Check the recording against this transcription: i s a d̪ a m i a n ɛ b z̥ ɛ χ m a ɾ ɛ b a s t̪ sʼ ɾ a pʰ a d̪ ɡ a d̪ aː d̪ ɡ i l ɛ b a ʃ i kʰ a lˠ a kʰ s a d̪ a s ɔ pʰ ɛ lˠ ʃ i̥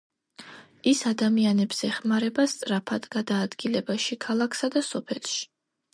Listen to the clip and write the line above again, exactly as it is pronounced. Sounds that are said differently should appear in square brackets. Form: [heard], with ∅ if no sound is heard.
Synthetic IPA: i s a d̪ a m i a n ɛ b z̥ ɛ χ m a ɾ ɛ b a s t̪ sʼ ɾ a pʰ a d̪ ɡ a d̪ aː d̪ ɡ i l ɛ b a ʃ i kʰ a lˠ a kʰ s a d̪ a s ɔ pʰ ɛ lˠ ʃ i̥